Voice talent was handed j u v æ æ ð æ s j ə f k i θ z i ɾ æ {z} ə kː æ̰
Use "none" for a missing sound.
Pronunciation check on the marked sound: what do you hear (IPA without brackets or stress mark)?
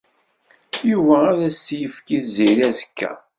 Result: z